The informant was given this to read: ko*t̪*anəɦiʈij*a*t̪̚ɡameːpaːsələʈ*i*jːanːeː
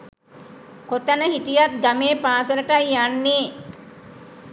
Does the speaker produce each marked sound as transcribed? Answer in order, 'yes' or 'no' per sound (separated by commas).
yes, yes, no